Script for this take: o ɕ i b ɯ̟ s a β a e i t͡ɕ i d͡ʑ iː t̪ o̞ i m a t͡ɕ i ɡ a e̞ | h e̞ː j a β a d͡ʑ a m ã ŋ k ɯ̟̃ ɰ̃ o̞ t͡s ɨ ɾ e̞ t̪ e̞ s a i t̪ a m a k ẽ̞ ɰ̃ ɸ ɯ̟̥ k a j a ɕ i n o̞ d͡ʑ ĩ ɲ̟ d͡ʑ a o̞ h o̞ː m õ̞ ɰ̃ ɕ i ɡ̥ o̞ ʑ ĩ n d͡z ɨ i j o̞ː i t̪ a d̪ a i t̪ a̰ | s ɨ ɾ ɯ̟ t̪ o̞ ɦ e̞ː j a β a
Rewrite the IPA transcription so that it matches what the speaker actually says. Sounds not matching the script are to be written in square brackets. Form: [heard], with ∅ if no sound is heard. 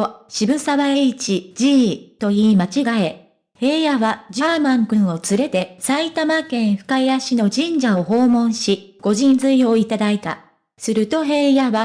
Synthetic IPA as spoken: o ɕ i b ɯ̟ s a β a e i t͡ɕ i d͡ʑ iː t̪ o̞ [iː] m a t͡ɕ i ɡ a e̞ | h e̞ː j a β a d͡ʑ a m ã ŋ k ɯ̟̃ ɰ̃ o̞ t͡s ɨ ɾ e̞ t̪ e̞ s a i t̪ a m a k ẽ̞ ɰ̃ ɸ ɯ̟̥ k a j a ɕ i n o̞ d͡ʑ ĩ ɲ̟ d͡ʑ a o̞ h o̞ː m õ̞ ɰ̃ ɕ i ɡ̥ o̞ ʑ ĩ n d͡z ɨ i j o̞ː i t̪ a d̪ a i t̪ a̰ | s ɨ ɾ ɯ̟ t̪ o̞ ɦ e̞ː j a β a